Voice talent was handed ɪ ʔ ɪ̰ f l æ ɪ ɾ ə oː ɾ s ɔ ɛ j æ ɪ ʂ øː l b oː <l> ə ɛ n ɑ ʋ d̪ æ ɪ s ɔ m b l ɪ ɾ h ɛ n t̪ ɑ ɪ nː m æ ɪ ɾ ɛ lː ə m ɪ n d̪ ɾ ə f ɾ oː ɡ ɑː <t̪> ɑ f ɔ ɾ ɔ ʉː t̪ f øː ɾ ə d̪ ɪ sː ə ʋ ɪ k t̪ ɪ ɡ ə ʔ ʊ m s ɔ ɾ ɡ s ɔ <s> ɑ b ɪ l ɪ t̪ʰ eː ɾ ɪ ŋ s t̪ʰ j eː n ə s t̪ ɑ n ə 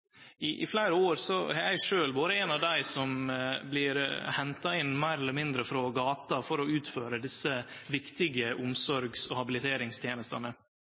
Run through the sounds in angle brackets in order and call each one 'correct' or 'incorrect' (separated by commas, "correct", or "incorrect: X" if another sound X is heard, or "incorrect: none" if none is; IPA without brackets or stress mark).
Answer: incorrect: ɾ, correct, incorrect: h